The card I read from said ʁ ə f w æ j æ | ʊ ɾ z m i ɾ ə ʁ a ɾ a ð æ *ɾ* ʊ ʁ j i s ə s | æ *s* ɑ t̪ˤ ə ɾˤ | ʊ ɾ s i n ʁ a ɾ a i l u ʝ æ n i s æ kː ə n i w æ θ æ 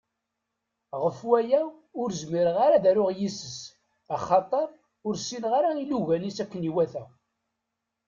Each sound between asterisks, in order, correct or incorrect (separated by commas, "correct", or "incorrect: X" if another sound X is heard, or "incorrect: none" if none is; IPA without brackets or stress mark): correct, incorrect: χ